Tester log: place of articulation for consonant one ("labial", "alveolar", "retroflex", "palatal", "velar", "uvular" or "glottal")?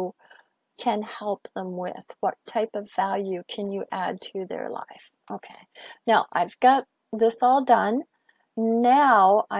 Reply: velar